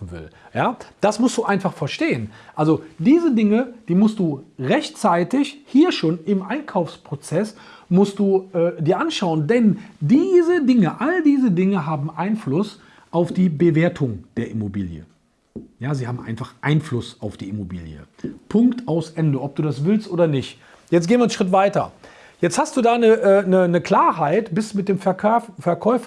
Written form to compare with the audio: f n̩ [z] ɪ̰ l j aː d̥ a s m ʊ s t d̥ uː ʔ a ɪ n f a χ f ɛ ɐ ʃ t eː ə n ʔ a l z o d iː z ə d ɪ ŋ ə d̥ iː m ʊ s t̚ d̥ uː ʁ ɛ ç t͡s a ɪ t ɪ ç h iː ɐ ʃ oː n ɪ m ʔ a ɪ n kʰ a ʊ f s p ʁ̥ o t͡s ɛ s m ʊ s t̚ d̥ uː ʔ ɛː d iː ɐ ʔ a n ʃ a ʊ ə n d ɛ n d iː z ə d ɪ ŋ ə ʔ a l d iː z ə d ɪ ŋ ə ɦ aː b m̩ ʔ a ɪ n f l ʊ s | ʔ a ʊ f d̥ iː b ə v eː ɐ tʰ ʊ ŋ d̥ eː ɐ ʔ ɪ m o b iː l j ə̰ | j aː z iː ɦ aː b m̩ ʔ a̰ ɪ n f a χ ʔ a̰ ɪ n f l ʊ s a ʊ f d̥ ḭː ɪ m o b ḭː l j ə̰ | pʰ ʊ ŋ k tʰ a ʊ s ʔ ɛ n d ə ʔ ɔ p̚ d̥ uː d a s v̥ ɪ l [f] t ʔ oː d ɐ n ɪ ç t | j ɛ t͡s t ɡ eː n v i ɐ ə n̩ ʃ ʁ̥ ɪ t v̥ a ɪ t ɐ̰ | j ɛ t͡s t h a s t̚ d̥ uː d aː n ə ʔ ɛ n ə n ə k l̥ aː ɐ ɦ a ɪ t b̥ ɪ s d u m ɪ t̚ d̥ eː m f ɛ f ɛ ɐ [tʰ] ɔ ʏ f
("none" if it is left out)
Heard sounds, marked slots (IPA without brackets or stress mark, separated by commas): v, s, kʰ